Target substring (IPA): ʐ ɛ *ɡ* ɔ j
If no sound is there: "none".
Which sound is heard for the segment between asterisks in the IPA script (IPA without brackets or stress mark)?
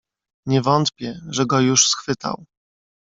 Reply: ɡ